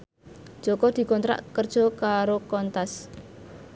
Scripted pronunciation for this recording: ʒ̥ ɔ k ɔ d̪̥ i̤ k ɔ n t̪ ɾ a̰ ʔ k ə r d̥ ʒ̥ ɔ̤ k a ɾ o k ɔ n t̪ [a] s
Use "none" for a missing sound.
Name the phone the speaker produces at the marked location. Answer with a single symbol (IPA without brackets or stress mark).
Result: a